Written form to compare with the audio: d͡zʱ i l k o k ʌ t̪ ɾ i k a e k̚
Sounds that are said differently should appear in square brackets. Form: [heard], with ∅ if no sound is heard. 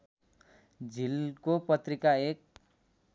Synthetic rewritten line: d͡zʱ i l k o [p] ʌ t̪ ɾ i k a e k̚